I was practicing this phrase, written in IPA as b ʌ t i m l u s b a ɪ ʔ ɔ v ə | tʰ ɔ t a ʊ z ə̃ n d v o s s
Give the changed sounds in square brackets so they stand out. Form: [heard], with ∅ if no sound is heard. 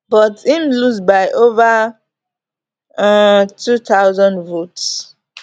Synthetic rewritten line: b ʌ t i m l u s b a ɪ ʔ [o] v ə | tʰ [u] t a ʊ z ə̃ n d v o [t] s